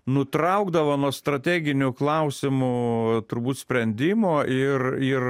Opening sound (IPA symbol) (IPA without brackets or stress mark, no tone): n